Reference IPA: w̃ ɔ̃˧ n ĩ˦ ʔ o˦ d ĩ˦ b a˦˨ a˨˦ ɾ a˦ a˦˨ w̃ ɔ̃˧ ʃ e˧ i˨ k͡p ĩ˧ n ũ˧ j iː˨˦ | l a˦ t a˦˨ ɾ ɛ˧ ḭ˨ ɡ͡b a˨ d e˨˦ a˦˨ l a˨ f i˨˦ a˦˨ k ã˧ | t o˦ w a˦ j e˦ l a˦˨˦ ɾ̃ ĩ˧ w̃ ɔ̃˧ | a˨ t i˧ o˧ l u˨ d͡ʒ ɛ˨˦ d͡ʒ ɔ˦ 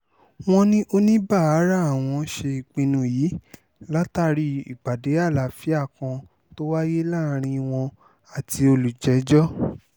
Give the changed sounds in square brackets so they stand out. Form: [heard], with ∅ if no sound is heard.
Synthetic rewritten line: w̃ ɔ̃˧ n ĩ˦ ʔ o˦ [n] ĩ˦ b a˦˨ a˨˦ ɾ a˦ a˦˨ w̃ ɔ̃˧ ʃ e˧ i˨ k͡p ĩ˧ n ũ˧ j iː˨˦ | l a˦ t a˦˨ ɾ [i˧] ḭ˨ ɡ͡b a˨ d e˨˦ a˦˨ l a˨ f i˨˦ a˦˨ k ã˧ | t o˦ w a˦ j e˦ l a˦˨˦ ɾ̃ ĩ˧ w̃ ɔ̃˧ | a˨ t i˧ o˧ l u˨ d͡ʒ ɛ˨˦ d͡ʒ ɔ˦